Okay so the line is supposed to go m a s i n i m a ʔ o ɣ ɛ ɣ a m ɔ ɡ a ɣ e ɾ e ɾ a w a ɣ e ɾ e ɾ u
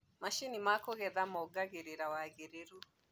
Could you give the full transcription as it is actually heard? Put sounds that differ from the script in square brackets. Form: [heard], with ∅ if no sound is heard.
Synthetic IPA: m a [ʃ] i n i m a [k] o ɣ ɛ [ð] a m ɔ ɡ a ɣ e ɾ e ɾ a w a ɣ e ɾ e ɾ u

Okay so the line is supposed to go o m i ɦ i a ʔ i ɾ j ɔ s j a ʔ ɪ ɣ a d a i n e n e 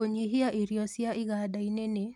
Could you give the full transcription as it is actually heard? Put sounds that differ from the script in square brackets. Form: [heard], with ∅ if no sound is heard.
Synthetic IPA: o [ɲ] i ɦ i a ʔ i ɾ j ɔ s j a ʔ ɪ ɣ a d a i n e n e

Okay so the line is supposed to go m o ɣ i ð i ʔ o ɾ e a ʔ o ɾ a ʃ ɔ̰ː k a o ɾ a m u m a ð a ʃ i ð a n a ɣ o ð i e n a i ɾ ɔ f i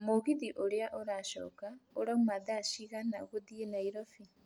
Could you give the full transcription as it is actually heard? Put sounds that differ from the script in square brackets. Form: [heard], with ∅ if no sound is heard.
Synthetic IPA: m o ɣ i ð i ʔ o ɾ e a ʔ o ɾ a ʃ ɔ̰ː k a o ɾ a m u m a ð a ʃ i [ɣ] a n a ɣ o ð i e n a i ɾ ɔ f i

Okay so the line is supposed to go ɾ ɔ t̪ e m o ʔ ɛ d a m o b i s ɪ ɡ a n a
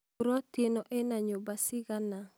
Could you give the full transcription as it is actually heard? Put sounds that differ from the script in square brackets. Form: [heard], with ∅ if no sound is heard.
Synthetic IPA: ɾ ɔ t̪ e [n] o ʔ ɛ [n] a [ɲ] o b [a] s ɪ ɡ a n a

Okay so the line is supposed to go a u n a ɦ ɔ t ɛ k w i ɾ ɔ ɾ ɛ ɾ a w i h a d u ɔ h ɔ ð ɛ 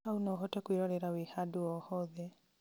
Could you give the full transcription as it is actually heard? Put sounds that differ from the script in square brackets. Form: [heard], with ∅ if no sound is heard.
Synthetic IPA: a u n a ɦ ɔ t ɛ k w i ɾ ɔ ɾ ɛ ɾ a w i h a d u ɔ h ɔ ð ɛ

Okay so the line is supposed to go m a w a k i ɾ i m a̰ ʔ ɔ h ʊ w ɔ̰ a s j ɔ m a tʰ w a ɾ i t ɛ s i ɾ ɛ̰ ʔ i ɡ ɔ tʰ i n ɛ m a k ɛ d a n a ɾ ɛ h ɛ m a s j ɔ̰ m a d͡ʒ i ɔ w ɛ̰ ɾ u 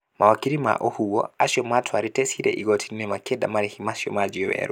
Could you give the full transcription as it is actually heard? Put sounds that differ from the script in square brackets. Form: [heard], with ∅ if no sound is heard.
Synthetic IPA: m a w a k i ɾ i m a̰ ʔ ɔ h [u] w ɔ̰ a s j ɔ m a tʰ w a ɾ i t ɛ s i ɾ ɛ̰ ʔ i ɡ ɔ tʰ i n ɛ m a k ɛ d a [m] a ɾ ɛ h [i] m a s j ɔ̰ m a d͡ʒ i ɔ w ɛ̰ ɾ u

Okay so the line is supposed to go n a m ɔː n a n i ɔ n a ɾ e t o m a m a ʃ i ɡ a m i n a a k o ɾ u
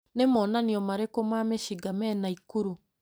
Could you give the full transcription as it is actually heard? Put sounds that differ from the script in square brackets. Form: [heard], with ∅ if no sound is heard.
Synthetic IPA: n [e] m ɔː n a n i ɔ [m] a ɾ e [k] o m a m [e] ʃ i ɡ a m [ɛ] n a [i] k [u] ɾ u

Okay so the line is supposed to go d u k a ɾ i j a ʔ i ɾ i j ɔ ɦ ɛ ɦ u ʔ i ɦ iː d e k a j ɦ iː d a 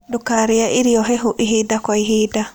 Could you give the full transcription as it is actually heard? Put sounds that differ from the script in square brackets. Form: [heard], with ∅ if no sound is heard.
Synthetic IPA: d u k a ɾ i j a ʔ i ɾ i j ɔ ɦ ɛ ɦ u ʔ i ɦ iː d [a] k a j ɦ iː d a

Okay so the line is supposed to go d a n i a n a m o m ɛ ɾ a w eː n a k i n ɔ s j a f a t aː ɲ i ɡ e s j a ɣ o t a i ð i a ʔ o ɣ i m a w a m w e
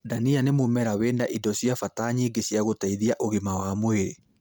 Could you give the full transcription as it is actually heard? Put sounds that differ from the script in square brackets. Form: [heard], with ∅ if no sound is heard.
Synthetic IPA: d a n i a n [e] m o m ɛ ɾ a w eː n a [ʔ] i [d] ɔ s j a f a t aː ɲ i ɡ e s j a ɣ o t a i ð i a ʔ o ɣ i m a w a m w e

